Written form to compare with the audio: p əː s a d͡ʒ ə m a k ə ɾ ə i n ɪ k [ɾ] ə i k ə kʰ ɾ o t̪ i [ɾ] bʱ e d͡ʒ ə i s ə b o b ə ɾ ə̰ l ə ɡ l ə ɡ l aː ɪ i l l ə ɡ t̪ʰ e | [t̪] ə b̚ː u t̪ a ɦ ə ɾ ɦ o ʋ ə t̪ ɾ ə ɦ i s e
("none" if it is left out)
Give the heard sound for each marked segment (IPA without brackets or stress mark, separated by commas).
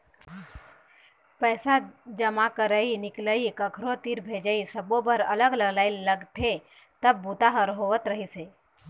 l, ɾ, t̪